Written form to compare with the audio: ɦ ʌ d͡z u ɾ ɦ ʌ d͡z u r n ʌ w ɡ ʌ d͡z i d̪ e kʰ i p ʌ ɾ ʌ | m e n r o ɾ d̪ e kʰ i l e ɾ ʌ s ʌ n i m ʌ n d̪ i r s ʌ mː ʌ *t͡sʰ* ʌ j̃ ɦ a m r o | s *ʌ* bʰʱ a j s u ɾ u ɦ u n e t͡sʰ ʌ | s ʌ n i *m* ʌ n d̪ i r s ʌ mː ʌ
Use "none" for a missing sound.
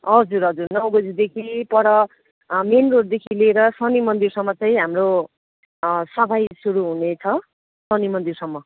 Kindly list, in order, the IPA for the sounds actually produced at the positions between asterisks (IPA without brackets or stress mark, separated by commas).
t͡s, ʌ, m